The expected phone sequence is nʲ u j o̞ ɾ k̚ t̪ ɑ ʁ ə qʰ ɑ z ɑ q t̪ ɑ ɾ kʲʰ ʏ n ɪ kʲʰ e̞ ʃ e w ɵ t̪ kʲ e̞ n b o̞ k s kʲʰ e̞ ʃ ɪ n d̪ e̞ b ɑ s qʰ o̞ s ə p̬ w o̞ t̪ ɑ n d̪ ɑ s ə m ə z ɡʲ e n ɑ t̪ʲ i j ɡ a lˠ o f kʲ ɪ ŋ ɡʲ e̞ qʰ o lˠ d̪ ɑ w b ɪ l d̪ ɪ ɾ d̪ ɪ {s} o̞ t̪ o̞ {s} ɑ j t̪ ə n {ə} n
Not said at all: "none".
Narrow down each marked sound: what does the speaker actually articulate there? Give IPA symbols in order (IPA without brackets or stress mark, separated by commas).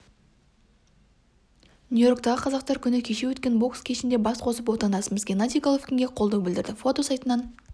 f, s, ɑ